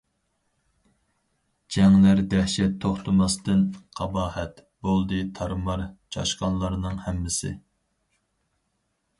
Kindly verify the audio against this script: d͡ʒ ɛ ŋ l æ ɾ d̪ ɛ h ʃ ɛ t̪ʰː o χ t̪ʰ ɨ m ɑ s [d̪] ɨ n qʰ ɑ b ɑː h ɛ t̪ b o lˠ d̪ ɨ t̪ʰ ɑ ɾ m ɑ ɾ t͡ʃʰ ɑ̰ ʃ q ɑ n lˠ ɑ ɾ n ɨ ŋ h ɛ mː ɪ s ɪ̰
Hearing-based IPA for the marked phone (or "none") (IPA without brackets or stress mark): t̪